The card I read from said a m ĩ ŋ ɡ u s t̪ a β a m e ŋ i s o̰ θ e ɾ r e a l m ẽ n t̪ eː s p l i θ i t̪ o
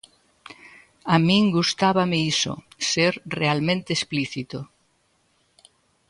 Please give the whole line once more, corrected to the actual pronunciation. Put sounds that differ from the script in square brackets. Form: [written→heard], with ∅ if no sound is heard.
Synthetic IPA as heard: a m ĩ ŋ ɡ u s t̪ a β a m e [ŋ→∅] i s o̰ [θ→s] e ɾ r e a l m ẽ n t̪ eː s p l i θ i t̪ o